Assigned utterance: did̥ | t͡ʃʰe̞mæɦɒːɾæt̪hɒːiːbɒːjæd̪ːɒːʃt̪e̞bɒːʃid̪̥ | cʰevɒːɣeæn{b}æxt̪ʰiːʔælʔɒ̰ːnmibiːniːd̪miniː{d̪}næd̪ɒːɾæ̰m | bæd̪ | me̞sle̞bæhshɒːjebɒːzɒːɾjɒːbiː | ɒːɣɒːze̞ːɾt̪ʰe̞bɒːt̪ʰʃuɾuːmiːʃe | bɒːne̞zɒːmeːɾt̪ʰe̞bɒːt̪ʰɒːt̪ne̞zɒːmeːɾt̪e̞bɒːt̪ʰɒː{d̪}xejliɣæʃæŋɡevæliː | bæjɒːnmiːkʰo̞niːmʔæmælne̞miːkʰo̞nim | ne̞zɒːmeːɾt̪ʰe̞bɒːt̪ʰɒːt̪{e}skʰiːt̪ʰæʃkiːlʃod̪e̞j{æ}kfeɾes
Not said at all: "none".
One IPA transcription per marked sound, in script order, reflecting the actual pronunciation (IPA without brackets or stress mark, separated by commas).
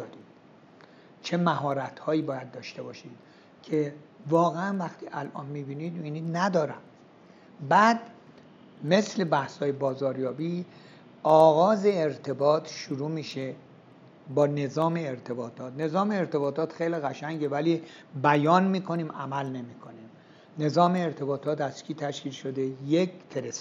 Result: v, d̪, t̪, æ, e